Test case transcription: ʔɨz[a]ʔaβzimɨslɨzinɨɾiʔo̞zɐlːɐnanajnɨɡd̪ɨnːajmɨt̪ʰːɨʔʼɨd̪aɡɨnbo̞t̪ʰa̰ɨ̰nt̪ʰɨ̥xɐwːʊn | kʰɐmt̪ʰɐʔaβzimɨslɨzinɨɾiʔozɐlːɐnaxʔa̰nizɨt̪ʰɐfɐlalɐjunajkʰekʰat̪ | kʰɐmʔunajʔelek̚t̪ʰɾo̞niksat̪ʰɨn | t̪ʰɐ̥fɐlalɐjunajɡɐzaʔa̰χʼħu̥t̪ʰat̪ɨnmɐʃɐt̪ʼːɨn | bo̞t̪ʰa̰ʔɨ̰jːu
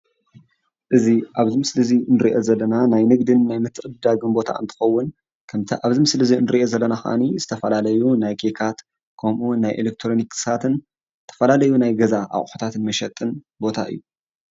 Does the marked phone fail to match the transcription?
yes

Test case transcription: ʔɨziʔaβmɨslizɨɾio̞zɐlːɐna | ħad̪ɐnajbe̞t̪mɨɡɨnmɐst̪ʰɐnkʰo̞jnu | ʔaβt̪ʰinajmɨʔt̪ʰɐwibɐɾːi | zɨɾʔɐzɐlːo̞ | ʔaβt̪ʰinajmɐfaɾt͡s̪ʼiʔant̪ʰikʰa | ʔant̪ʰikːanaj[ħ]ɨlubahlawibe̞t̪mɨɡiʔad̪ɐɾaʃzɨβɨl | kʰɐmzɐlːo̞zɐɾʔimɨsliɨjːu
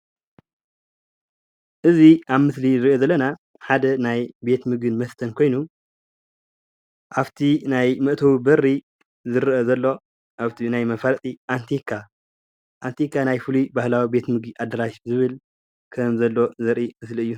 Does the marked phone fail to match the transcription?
yes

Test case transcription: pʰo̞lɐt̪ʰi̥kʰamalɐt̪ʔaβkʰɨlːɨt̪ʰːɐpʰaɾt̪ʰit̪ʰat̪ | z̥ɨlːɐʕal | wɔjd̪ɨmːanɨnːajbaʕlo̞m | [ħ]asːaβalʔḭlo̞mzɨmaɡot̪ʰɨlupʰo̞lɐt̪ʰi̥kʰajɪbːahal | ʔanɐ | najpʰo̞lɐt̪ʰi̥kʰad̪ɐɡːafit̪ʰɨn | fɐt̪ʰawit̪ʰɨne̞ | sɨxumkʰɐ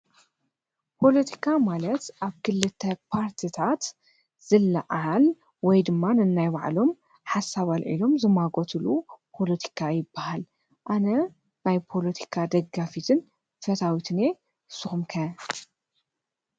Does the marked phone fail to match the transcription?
no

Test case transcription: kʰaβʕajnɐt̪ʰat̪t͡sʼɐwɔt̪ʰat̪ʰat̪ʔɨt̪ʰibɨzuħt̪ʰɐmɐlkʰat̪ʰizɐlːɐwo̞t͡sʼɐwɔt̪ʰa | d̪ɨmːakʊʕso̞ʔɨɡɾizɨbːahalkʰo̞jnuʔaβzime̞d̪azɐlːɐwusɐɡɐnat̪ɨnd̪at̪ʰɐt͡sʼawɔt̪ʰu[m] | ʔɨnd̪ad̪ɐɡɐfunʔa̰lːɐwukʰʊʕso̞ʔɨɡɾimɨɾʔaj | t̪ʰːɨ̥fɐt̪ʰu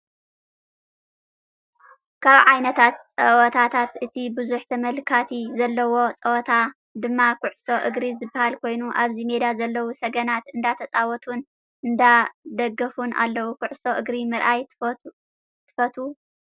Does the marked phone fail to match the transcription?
yes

